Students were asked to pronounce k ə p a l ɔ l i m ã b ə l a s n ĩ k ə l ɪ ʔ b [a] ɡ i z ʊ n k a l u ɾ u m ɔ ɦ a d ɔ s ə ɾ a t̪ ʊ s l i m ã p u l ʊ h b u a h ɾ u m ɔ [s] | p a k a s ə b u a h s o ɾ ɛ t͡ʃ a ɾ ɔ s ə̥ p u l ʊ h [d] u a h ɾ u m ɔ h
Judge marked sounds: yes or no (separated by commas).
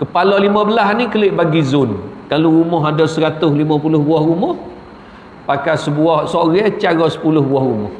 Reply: yes, no, no